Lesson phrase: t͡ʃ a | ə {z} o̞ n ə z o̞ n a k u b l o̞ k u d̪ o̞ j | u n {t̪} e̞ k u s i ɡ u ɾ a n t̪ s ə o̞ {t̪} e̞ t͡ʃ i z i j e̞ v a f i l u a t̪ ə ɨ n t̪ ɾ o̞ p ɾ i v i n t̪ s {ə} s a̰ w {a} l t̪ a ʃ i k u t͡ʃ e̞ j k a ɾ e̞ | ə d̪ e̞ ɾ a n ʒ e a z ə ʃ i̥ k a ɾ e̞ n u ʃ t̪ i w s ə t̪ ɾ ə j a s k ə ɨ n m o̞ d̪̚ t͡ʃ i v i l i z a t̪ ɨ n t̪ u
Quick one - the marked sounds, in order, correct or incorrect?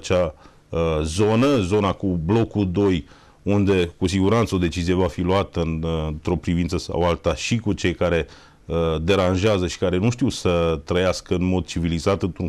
correct, incorrect: d̪, incorrect: d̪, correct, correct

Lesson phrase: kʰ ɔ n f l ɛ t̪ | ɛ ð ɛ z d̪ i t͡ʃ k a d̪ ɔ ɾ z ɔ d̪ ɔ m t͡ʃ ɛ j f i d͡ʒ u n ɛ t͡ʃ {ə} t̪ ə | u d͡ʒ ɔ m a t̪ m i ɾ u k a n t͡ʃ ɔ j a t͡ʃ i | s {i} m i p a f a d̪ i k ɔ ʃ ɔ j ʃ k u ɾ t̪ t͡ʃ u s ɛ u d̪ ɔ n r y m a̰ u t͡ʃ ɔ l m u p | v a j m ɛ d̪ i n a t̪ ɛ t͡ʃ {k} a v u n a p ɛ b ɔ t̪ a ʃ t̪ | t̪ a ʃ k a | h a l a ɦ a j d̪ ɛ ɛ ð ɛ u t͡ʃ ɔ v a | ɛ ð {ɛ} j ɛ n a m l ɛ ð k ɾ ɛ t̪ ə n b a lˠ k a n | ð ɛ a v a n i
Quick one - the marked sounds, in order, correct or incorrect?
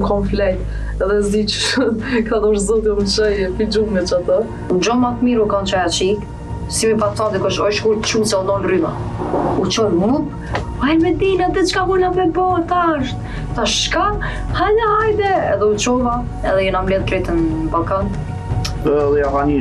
incorrect: a, correct, correct, correct

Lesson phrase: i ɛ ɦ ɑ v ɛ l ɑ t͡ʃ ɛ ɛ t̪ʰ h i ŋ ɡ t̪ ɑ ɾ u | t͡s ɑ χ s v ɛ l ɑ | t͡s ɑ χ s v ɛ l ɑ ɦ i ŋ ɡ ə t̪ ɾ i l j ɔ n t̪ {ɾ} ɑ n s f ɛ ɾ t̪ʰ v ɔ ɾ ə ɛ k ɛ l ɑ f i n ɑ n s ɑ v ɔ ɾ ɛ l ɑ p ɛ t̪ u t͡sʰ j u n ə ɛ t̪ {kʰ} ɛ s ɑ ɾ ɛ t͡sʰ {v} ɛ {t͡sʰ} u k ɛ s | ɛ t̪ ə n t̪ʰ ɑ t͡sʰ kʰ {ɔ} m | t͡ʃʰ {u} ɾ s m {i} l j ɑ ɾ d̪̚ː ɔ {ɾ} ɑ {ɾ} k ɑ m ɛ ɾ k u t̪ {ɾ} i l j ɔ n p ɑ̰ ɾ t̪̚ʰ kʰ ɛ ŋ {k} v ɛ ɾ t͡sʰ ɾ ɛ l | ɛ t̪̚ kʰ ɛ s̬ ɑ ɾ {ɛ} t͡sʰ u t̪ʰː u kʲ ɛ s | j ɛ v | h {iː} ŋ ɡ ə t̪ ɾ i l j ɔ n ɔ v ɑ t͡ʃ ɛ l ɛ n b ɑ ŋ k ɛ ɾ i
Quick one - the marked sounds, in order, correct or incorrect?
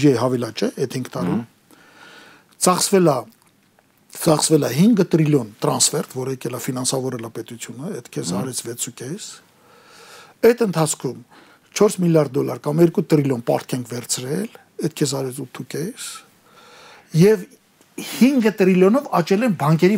correct, correct, correct, correct, incorrect: u, incorrect: ɔ, correct, incorrect: l, correct, correct, incorrect: kʰ, correct, incorrect: i

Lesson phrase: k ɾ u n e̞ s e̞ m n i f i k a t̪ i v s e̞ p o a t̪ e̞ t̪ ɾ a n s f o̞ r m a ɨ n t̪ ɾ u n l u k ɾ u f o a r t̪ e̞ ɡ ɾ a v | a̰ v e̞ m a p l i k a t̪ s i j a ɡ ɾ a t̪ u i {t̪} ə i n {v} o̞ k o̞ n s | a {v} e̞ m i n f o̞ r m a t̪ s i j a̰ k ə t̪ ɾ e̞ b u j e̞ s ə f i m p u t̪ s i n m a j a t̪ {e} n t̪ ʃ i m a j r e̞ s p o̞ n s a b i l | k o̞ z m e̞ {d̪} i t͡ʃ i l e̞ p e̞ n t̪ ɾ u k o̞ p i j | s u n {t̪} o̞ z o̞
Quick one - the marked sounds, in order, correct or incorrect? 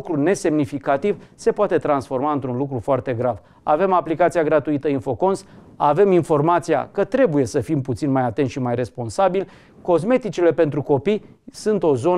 correct, incorrect: f, correct, correct, incorrect: t̪, correct

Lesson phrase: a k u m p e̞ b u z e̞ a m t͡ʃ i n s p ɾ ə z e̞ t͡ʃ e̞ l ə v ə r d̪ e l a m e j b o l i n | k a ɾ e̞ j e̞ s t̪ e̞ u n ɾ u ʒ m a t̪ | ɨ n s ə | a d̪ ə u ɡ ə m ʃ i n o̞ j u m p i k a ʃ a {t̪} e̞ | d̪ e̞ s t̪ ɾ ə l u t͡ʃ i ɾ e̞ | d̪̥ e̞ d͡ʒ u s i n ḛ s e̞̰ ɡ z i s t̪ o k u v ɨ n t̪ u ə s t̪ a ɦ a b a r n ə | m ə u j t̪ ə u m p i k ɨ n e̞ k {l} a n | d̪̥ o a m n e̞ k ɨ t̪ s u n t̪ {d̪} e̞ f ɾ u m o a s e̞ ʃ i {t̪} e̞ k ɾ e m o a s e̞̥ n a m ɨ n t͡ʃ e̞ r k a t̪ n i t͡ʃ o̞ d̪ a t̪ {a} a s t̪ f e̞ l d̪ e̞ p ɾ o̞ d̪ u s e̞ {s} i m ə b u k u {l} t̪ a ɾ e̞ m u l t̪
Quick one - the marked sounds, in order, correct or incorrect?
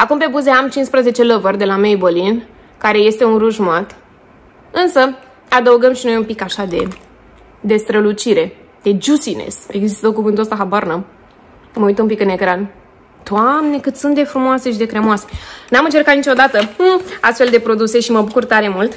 incorrect: d̪, incorrect: ɾ, correct, incorrect: d̪, incorrect: ə, incorrect: ʃ, incorrect: r

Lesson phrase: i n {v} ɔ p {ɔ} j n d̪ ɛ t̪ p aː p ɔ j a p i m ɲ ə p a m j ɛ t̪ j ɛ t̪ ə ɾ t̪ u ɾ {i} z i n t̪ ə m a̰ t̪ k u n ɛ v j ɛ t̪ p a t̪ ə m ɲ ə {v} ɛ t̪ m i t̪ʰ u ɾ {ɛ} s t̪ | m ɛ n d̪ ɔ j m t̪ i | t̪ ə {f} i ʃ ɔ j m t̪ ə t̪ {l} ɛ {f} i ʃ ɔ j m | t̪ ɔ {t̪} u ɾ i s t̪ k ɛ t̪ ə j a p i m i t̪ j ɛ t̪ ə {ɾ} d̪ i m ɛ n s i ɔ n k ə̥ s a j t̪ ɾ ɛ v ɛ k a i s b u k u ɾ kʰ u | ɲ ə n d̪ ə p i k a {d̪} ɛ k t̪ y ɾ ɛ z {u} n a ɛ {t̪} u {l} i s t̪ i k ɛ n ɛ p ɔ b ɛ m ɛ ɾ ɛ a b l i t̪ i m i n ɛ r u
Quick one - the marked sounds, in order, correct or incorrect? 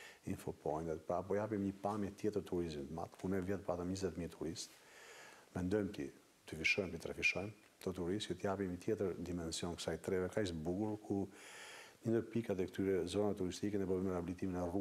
incorrect: f, correct, correct, incorrect: z, incorrect: i, correct, incorrect: ɾ, correct, correct, correct, incorrect: t̪, incorrect: ɔ, correct, incorrect: ɾ

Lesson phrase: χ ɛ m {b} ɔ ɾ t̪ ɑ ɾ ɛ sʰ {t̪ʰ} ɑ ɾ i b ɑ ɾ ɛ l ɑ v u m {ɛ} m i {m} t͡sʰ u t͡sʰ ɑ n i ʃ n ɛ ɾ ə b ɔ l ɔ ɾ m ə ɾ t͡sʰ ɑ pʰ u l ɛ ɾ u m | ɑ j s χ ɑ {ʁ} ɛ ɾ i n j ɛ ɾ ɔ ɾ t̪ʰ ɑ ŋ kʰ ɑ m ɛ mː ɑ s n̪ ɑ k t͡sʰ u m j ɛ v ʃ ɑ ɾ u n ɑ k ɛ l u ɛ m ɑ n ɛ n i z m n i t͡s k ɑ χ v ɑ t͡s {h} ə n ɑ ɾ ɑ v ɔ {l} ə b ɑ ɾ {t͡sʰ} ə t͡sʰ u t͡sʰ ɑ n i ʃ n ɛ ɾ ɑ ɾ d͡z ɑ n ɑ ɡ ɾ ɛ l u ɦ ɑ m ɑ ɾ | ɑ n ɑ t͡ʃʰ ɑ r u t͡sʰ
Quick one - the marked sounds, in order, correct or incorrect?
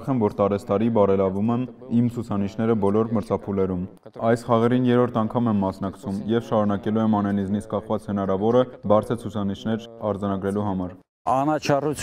incorrect: v, incorrect: t̪, correct, correct, correct, correct, incorrect: ɾ, correct

